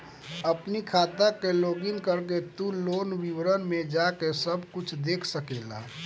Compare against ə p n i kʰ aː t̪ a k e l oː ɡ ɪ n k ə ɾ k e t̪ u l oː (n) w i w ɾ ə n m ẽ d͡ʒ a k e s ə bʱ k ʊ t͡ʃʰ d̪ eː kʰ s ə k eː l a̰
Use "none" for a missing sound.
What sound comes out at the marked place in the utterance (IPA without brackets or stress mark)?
n